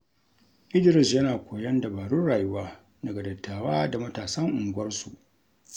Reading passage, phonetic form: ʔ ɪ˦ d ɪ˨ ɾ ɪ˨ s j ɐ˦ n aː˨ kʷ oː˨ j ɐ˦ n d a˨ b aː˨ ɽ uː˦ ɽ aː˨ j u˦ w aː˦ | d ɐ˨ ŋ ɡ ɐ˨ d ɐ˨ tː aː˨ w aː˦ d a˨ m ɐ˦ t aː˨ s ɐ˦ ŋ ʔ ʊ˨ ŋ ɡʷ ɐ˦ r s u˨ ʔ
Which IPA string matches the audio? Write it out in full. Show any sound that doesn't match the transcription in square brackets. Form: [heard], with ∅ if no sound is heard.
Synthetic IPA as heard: ʔ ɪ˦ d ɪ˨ ɾ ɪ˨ s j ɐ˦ n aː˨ kʷ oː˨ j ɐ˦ n d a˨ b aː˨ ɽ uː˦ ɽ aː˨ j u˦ w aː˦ | d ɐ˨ [∅] ɡ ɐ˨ d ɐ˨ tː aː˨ w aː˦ d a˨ m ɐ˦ t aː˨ s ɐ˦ ŋ ʔ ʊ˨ ŋ ɡʷ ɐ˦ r s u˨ ʔ